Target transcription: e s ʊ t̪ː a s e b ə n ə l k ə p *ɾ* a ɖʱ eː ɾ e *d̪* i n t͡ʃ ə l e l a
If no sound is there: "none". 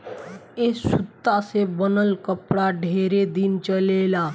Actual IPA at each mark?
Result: ɽ, d̪

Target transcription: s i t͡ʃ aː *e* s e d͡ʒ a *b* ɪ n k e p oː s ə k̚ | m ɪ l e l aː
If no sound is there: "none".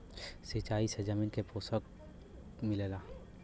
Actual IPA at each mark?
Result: i, m

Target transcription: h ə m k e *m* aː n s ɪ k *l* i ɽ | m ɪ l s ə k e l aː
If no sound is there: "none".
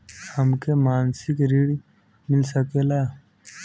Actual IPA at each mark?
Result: m, ɾ

